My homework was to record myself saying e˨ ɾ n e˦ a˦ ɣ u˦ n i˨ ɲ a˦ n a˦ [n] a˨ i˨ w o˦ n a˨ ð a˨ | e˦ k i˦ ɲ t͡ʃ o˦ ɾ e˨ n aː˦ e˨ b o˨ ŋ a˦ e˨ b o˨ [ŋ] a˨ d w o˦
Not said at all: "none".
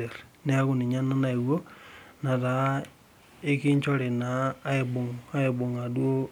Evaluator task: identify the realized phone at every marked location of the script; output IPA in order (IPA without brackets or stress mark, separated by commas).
n, ŋ